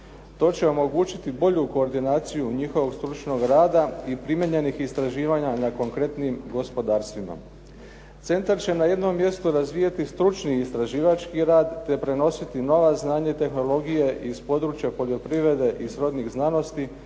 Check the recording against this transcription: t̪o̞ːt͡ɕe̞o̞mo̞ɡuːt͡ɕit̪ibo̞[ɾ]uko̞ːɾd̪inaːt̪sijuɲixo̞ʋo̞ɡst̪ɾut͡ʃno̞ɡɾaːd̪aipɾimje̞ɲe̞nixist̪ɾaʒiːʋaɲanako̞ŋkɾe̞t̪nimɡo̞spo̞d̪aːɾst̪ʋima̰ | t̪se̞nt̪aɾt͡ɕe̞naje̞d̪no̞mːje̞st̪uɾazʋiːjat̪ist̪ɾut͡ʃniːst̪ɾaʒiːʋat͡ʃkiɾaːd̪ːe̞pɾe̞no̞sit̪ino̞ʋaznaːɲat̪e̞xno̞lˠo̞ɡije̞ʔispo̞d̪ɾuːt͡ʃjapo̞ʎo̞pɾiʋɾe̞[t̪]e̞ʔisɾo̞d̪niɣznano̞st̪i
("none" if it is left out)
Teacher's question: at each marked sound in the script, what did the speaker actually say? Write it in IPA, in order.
ʎ, d̪

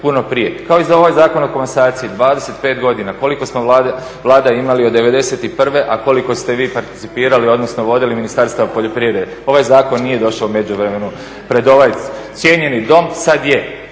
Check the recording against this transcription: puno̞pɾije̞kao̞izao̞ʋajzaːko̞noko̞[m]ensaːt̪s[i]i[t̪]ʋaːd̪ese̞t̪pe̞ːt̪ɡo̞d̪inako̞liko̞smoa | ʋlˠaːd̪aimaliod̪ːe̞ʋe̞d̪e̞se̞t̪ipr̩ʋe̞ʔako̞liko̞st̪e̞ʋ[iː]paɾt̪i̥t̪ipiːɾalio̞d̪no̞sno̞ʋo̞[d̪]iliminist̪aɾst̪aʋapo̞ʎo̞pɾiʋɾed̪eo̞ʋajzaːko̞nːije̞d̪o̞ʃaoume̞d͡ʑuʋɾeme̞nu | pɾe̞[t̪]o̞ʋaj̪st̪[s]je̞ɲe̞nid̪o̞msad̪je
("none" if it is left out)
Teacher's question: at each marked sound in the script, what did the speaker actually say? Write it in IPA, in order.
m, i, d̪, iː, d̪, d̪, s

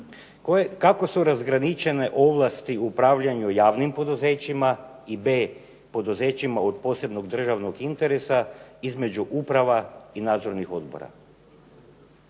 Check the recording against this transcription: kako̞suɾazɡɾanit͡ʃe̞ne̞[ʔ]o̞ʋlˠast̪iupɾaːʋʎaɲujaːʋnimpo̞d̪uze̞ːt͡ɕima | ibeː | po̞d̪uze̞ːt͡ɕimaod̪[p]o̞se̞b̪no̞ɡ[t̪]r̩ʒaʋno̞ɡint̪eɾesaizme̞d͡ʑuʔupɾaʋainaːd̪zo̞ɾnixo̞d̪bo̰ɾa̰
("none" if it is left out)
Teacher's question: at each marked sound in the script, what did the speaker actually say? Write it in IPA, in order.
ʔ, p, d̪

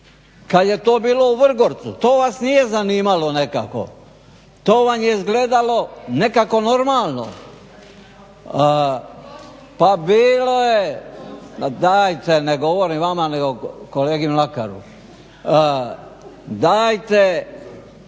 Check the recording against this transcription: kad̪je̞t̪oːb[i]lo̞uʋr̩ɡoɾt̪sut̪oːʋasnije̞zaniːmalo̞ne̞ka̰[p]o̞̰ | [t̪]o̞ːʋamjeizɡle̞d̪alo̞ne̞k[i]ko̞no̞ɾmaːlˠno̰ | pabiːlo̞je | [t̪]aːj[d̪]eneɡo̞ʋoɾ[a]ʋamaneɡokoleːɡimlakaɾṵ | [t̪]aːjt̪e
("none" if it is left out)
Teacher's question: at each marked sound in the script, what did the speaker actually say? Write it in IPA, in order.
iː, k, t̪, a, d̪, t̪, i, d̪

